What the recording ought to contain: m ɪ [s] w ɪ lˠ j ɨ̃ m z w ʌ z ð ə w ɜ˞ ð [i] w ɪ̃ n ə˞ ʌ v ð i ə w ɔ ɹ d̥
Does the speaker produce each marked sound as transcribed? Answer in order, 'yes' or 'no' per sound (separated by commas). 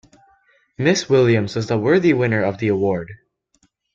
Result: yes, yes